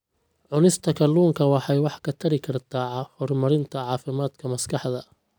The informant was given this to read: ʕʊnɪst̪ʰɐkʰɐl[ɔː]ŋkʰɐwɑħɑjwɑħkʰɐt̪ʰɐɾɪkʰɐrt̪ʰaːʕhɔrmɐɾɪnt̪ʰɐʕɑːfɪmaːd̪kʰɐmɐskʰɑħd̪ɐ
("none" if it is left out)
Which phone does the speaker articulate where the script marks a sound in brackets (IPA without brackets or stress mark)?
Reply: uː